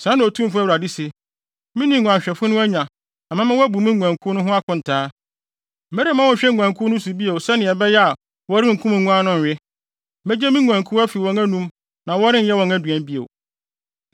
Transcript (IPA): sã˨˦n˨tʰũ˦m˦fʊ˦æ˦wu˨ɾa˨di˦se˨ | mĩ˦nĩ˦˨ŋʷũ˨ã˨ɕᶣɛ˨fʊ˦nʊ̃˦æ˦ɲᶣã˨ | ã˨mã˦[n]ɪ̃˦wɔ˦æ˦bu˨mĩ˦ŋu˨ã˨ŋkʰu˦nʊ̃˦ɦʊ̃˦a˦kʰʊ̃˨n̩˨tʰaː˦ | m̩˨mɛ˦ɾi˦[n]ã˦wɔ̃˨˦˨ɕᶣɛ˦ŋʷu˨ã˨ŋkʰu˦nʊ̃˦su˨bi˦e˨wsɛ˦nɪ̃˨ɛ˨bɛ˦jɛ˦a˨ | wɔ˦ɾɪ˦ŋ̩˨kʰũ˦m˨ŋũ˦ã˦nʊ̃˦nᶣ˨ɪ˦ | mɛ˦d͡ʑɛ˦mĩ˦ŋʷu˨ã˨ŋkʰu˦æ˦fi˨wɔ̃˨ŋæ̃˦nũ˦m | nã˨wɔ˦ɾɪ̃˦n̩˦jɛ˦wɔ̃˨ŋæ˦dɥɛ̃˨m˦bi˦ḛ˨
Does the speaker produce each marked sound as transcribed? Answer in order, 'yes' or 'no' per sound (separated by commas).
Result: no, no